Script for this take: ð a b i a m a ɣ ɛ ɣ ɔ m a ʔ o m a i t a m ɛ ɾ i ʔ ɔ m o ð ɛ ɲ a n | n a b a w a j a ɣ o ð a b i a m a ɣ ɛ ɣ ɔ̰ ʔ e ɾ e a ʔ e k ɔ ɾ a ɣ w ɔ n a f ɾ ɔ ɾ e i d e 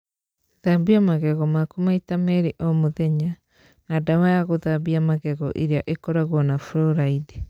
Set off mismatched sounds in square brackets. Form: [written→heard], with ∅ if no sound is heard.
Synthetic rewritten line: ð a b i a m a ɣ ɛ ɣ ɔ m a [ʔ→k] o m a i t a m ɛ ɾ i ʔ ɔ m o ð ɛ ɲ a [n→∅] | n a [b→d] a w a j a ɣ o ð a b i a m a ɣ ɛ ɣ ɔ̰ ʔ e ɾ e a ʔ e k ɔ ɾ a ɣ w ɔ n a f ɾ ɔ ɾ [e→a] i d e